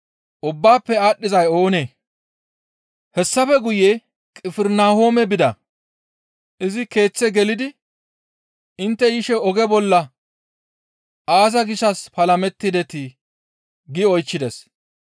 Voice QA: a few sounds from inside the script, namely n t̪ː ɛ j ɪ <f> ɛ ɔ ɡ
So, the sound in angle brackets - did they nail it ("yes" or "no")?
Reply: no